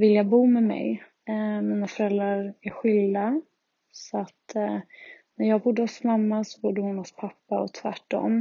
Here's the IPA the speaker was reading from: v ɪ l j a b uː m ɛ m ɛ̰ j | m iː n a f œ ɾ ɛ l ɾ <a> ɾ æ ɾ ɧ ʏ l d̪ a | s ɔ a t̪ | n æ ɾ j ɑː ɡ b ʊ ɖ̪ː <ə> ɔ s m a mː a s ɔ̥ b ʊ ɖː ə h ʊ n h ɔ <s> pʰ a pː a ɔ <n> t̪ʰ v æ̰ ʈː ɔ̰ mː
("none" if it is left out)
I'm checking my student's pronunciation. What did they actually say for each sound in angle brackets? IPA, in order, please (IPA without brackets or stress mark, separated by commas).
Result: a, ə, s, none